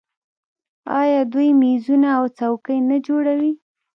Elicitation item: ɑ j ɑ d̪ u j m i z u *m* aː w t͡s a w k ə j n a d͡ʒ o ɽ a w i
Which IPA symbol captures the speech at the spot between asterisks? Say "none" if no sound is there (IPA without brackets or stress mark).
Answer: n